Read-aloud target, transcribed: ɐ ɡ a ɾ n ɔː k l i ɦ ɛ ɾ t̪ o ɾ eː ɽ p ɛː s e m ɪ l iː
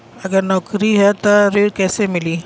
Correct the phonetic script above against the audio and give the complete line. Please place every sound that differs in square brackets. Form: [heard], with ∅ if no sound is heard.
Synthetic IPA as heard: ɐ ɡ [ə] ɾ n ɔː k [ɾ] i ɦ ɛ [∅] t̪ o ɾ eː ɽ [k] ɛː s e m ɪ l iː